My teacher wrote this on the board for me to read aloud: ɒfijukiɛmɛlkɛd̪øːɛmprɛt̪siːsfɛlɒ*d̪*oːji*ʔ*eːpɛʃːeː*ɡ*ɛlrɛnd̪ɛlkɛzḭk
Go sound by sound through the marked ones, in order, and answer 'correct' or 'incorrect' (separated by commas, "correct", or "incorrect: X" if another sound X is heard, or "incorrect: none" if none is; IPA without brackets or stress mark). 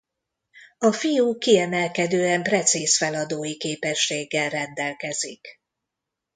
correct, incorrect: k, incorrect: ɡː